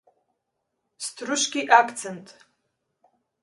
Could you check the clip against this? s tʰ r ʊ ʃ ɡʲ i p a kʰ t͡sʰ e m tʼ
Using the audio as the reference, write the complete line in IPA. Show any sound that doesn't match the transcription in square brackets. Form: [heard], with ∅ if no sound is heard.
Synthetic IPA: s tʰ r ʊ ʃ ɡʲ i [ʔ] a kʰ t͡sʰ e [n] tʼ